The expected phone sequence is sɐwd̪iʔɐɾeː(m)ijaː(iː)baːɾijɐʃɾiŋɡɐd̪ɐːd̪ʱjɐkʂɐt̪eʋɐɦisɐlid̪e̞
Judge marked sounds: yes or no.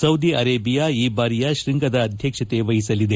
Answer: no, yes

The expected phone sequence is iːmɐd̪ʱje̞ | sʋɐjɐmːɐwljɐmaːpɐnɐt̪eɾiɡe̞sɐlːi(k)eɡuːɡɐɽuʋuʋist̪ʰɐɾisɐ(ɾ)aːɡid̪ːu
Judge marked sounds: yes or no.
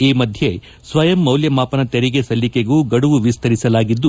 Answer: yes, no

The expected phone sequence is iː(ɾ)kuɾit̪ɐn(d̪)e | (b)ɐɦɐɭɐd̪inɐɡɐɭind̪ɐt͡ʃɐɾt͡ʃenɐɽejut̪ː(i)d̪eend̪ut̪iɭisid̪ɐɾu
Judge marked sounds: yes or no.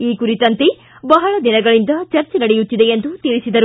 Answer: no, no, yes, yes

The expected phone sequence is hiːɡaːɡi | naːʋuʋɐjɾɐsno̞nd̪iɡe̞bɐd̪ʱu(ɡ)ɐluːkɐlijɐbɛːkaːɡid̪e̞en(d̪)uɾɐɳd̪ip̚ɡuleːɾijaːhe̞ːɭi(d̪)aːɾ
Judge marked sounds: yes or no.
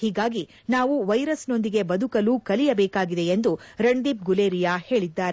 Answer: no, yes, no

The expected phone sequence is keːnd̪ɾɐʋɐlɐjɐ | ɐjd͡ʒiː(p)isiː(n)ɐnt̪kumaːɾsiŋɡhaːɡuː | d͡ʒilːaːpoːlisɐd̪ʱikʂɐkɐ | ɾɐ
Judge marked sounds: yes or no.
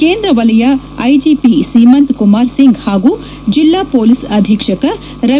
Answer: yes, no

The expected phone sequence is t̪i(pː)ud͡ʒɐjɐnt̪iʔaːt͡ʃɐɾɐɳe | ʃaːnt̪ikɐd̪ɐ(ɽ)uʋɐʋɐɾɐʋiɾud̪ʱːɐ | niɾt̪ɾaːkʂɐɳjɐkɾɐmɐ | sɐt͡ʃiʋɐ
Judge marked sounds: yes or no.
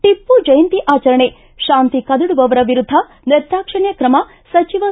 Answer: yes, yes

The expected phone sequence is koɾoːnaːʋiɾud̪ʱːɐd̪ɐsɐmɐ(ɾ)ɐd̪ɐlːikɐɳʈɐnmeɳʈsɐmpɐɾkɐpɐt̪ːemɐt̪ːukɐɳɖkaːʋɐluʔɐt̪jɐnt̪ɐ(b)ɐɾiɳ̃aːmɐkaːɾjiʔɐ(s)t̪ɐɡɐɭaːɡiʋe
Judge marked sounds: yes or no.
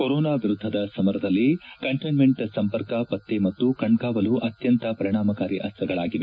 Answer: yes, no, yes

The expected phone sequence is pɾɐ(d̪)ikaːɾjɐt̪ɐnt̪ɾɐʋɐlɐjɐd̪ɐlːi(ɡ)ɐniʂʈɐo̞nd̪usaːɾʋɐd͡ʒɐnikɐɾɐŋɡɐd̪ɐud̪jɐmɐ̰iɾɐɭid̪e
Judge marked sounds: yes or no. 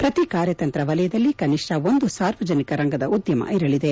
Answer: no, no

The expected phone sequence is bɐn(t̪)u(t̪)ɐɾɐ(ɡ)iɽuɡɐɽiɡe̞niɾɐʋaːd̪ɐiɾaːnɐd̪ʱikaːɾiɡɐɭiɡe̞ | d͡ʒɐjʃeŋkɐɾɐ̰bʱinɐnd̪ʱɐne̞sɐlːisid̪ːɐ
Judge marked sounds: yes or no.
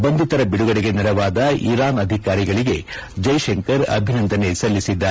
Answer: no, yes, no

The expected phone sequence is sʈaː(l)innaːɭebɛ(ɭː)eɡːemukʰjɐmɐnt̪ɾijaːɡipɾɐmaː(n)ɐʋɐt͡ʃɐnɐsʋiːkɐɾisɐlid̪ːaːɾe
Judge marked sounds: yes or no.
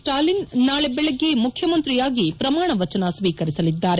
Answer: yes, no, no

